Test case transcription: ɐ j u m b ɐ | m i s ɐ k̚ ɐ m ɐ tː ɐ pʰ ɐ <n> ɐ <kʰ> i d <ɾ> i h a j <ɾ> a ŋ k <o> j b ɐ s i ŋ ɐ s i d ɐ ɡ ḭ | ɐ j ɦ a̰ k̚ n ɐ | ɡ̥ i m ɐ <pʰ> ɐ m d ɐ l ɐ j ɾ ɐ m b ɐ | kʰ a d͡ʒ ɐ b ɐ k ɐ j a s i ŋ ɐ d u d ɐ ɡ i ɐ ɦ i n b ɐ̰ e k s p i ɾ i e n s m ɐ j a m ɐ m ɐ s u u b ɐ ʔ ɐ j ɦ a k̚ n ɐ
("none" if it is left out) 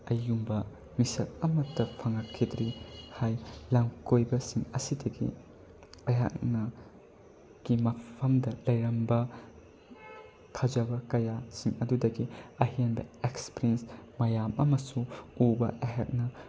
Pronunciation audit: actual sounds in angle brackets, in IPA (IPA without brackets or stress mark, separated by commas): ŋ, kʰ, ɾ, l, o, pʰ